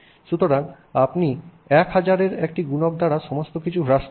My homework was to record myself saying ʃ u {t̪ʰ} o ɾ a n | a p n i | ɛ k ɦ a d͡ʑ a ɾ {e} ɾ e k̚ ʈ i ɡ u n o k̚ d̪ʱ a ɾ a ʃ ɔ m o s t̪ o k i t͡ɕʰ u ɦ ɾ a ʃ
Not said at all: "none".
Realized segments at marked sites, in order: t̪, e

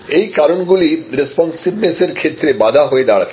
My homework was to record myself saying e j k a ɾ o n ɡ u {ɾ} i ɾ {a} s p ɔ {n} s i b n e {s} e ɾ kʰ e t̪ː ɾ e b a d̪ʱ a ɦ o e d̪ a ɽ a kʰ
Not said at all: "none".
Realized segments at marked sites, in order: l, e, n, s

